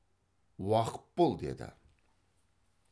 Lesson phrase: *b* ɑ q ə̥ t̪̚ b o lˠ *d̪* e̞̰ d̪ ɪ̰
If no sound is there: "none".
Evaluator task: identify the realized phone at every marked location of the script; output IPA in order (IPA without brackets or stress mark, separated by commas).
w, d̪